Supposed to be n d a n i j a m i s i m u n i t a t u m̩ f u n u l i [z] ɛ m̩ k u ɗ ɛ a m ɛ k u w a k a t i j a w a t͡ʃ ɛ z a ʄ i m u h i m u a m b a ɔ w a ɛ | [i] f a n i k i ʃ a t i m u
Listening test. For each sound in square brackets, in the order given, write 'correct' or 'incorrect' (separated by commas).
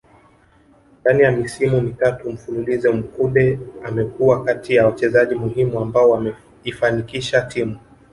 correct, correct